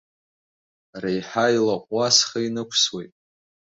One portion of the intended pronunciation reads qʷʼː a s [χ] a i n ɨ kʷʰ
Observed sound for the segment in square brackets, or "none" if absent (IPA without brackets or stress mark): χ